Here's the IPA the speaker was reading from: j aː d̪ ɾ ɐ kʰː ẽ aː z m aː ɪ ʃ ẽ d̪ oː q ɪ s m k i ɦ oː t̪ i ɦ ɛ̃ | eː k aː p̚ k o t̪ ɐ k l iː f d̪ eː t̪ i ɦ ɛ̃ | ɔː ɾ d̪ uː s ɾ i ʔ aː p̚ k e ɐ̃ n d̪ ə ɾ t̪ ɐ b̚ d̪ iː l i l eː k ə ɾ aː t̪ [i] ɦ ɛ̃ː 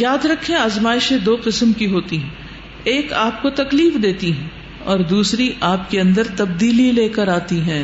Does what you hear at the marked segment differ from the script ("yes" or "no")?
no